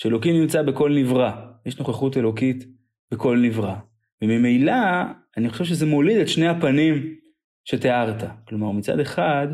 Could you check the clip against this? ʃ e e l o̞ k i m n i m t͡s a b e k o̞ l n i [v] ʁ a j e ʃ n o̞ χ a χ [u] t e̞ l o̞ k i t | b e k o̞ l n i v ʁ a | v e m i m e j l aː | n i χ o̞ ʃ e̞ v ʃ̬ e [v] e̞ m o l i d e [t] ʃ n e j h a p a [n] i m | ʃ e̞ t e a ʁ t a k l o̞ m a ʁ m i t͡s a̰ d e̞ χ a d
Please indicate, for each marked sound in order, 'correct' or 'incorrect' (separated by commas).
correct, correct, incorrect, correct, correct